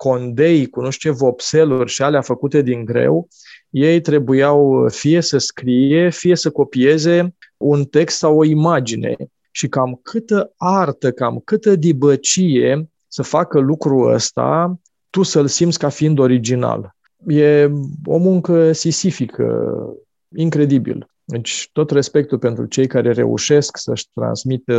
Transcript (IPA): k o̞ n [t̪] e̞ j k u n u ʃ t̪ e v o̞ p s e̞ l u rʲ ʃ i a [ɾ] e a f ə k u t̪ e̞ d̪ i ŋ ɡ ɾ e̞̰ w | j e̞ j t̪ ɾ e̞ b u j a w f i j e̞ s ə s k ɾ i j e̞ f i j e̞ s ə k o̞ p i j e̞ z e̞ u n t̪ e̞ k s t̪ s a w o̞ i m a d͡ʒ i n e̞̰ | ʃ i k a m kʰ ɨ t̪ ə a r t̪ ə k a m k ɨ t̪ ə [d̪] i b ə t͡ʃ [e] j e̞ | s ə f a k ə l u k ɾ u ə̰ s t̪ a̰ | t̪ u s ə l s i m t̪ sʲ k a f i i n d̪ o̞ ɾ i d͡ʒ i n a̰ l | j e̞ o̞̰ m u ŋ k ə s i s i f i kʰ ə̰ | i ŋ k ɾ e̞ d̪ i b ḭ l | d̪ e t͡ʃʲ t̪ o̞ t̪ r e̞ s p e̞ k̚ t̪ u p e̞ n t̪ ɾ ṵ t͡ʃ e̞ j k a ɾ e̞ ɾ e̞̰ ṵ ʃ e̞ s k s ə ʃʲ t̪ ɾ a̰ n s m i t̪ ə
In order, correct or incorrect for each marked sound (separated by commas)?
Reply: incorrect, incorrect, correct, incorrect